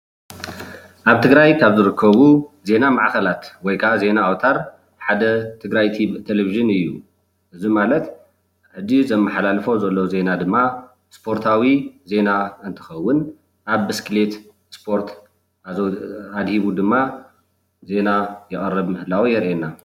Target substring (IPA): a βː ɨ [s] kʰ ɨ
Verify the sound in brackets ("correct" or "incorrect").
correct